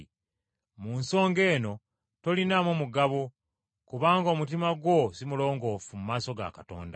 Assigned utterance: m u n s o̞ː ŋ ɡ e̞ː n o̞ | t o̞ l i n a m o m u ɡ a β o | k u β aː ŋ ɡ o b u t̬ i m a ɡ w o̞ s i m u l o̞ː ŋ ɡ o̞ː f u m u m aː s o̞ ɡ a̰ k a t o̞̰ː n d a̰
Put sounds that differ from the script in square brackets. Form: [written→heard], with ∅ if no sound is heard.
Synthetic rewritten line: m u n s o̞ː ŋ ɡ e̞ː n o̞ | t o̞ l i n a m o m u ɡ a β o | k u β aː ŋ ɡ o [b→m] u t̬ i m a ɡ w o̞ s i m u l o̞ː ŋ ɡ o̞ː f u m u m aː s o̞ ɡ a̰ k a t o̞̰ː n d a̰